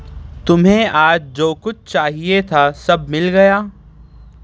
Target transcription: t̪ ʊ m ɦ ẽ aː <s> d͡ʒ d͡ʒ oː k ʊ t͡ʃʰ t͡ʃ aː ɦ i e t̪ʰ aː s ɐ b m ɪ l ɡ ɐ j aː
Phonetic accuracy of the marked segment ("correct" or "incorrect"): incorrect